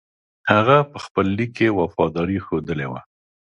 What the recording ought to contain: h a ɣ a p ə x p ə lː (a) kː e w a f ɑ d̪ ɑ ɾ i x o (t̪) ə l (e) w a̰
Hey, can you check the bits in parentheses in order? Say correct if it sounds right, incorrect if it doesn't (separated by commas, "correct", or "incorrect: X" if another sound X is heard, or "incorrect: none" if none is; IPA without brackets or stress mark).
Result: incorrect: i, incorrect: d̪, correct